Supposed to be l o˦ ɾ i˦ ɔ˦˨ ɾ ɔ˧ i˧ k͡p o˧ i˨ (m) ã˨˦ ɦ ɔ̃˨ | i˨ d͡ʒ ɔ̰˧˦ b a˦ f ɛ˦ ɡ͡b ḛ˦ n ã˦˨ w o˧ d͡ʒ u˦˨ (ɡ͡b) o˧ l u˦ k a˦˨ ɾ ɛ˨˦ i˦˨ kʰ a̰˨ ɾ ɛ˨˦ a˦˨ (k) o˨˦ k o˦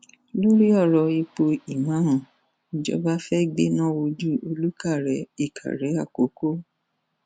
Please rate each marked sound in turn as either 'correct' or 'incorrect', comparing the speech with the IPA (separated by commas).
correct, incorrect, correct